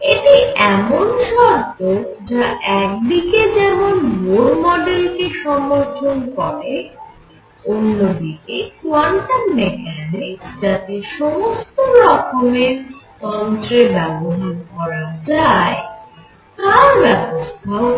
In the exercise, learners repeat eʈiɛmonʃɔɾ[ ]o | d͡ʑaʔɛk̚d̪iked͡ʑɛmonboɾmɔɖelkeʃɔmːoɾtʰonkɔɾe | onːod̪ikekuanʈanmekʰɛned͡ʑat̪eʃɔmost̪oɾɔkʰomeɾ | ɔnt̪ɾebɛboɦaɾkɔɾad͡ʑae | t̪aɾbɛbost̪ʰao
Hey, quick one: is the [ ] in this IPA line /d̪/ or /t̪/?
t̪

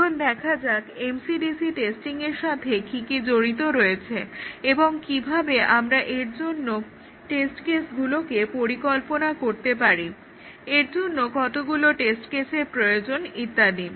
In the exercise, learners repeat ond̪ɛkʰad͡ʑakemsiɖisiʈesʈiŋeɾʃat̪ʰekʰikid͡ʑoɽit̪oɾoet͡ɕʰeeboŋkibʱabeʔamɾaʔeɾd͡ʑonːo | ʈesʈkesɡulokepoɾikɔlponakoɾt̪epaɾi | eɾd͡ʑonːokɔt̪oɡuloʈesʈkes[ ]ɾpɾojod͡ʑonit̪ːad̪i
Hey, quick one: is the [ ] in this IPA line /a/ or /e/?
e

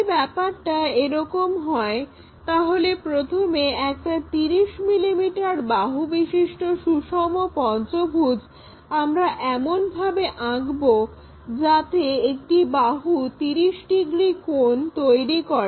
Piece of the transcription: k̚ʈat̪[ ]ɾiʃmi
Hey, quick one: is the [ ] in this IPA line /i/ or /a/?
i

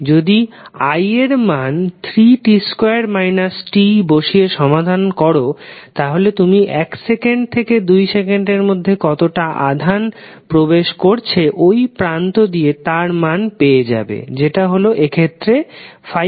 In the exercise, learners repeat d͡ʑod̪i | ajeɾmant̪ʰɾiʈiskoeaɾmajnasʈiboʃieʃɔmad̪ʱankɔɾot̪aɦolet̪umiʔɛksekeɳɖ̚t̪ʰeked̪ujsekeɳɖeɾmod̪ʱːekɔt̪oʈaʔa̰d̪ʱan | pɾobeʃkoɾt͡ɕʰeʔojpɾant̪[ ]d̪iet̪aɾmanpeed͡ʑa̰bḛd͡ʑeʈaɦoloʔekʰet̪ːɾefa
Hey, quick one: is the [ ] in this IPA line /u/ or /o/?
o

